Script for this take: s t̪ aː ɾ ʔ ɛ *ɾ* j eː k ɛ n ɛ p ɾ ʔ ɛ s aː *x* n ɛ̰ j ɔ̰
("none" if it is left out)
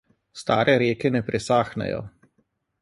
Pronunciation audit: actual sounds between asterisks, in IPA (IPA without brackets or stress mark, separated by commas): ɾ, x